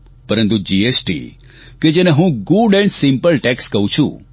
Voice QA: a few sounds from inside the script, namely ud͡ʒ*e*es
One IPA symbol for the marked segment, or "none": i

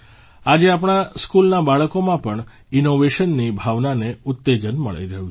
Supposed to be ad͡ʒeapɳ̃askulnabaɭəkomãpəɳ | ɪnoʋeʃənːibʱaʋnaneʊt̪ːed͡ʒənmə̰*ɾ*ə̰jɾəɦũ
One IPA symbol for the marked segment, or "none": ɭ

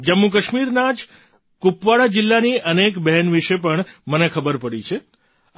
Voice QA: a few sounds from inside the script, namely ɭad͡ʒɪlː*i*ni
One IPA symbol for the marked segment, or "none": a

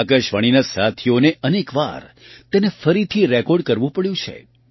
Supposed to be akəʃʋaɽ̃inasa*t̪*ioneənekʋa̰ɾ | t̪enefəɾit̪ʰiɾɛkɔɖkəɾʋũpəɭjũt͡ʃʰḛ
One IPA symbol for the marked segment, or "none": t̪ʰ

